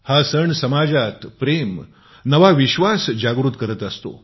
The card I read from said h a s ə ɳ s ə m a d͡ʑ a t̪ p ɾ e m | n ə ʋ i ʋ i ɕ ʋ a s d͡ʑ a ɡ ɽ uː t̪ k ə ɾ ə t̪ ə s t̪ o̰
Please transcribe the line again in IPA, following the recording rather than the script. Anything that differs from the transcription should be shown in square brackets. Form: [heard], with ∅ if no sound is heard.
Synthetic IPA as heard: h a s ə ɳ s ə m a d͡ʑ a t̪ p ɾ e m | n ə ʋ [a] ʋ i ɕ ʋ a s d͡ʑ a ɡ [ɾ] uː t̪ k ə ɾ ə t̪ ə s t̪ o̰